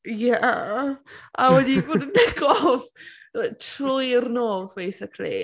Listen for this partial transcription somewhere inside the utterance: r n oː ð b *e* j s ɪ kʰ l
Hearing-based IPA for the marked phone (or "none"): e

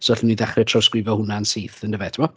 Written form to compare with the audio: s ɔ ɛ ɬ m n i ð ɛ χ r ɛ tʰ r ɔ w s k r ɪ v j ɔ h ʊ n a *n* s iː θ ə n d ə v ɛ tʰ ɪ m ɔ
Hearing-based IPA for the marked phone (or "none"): n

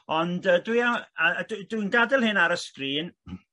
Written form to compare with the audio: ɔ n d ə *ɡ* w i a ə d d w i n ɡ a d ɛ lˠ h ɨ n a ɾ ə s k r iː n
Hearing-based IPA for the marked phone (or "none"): d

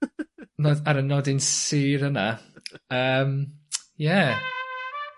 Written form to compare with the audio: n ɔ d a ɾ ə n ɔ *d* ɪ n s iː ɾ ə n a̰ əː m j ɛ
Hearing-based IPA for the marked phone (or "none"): d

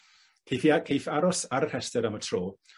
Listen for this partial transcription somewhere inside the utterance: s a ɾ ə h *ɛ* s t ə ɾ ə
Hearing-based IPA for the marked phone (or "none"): ɛ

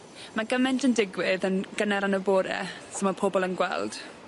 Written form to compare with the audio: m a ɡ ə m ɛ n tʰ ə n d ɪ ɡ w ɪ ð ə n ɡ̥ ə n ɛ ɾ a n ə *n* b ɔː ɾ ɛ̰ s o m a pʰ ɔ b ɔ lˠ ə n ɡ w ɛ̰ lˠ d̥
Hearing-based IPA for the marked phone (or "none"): none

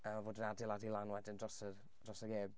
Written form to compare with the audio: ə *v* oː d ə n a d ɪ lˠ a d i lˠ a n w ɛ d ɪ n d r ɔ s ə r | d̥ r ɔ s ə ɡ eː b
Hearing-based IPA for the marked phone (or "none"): v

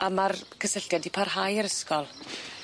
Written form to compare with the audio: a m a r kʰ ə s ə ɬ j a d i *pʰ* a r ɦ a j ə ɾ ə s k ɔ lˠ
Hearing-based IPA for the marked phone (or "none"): pʰ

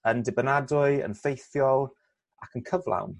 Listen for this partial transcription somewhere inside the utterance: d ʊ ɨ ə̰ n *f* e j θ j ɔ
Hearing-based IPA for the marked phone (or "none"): f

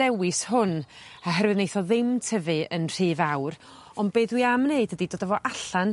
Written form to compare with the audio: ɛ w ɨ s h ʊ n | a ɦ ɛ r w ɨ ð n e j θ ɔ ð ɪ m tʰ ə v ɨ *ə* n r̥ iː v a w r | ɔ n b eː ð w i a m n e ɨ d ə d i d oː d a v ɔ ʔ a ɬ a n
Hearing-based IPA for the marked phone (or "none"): ə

